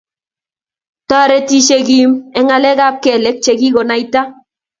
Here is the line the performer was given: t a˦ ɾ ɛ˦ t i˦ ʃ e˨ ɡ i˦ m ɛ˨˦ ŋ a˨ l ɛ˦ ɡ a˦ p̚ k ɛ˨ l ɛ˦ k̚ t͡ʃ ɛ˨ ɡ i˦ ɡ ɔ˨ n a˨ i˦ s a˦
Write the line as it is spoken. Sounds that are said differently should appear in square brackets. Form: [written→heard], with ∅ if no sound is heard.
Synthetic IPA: t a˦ ɾ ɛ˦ t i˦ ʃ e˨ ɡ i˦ m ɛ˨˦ ŋ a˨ l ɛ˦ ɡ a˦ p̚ k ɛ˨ l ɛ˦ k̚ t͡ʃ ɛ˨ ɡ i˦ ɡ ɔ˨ n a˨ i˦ [s→t] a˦